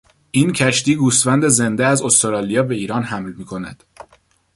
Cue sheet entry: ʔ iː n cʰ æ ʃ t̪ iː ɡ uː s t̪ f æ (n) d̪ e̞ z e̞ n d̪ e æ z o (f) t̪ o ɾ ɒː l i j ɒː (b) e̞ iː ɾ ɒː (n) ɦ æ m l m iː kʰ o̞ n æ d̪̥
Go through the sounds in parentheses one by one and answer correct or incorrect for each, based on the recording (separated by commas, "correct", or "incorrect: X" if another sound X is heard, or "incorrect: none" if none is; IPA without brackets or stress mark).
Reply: correct, incorrect: s, correct, correct